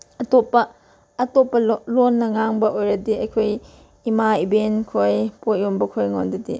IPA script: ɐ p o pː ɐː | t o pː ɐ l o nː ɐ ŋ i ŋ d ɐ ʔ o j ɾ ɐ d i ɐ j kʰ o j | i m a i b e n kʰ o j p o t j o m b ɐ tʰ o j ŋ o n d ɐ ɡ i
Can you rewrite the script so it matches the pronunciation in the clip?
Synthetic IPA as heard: ɐ t o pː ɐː | t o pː ɐ l o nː ɐ ŋ a ŋ b ɐ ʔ o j ɾ ɐ d i ɐ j kʰ o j | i m a i b e n kʰ o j p o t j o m b ɐ kʰ o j ŋ o n d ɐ d i